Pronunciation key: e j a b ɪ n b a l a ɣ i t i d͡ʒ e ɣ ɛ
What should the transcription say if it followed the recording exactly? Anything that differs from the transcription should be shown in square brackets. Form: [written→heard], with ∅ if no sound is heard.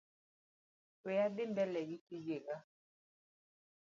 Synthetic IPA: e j a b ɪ [n→m] b [a→ɛ] l [a→ɛ] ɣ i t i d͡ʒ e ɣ [ɛ→a]

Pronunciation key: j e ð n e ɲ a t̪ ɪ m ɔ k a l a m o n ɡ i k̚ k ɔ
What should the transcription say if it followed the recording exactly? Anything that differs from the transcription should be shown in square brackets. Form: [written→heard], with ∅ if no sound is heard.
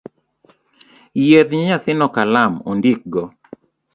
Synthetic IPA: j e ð [n→ɲ] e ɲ a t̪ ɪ [m→n] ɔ k a l a m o n [ɡ→d] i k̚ [k→ɡ] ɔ

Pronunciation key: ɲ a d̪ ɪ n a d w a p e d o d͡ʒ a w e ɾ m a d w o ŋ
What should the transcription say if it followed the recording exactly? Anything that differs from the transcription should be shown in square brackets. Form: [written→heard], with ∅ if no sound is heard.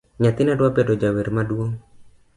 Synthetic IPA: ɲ a [d̪→t̪] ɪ n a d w a p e d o d͡ʒ a w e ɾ m a d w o ŋ

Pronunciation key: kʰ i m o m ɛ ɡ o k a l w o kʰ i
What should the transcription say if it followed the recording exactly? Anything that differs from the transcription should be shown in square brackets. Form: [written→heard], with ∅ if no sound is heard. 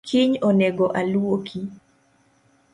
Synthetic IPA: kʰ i [m→ɲ] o [m→n] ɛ ɡ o [k→ʔ] a l w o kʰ i

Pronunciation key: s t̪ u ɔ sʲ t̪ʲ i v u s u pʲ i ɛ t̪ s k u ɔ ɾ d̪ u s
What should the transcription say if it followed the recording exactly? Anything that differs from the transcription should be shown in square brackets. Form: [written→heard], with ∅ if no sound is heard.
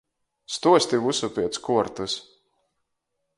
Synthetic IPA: s t̪ u ɔ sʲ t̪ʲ i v u s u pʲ i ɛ t̪ s k u ɔ ɾ [d̪→t̪] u s

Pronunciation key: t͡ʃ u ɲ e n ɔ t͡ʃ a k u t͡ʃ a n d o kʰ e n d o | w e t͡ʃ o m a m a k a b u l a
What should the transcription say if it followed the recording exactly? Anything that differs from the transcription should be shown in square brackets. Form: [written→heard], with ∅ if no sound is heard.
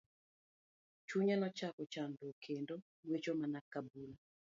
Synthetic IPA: t͡ʃ u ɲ [e→a] n ɔ t͡ʃ a k [u→ɔ] t͡ʃ a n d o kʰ e n d o | w e t͡ʃ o m a [m→n] a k a b u l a

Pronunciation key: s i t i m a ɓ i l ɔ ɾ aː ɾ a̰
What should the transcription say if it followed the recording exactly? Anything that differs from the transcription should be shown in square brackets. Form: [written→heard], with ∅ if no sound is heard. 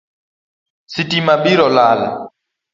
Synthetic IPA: s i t i m a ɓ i [l→ɾ] ɔ [ɾ→l] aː [ɾ→l] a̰

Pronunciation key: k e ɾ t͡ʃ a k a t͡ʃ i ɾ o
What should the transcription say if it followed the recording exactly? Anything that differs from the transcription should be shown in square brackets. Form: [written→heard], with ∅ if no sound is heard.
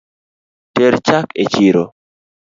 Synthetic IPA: [k→t] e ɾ t͡ʃ a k [a→e] t͡ʃ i ɾ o

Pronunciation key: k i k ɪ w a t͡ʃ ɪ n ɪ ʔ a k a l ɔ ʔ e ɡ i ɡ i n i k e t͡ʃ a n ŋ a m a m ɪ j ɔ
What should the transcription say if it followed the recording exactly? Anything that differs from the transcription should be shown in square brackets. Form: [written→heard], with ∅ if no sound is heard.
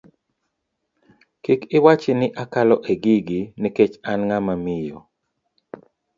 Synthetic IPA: k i k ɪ w a t͡ʃ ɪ n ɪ ʔ a k a l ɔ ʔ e ɡ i ɡ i n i k e t͡ʃ a n ŋ a m a m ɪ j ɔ

